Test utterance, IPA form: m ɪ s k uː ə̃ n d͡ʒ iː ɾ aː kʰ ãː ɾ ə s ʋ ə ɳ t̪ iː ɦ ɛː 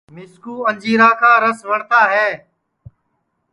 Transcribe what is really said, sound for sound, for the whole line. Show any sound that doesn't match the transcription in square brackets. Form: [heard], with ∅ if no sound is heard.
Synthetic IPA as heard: m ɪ s k uː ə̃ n d͡ʒ iː ɾ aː kʰ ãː ɾ ə s ʋ ə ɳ t̪ [aː] ɦ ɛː